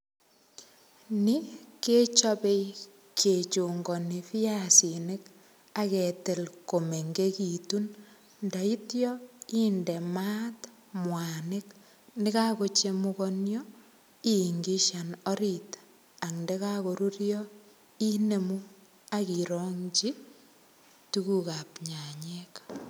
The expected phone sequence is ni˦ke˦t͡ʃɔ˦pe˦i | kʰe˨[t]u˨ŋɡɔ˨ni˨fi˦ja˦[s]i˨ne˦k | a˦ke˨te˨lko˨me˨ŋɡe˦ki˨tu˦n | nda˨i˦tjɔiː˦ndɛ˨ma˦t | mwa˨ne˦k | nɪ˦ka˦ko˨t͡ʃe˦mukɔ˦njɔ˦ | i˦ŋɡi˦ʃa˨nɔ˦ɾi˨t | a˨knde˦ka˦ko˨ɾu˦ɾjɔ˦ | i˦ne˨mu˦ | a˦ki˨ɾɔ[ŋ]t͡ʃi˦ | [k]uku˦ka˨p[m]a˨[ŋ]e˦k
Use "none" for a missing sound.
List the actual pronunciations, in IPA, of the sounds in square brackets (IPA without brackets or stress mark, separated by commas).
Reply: t͡ʃ, s, ŋ, t, ɲ, ɲ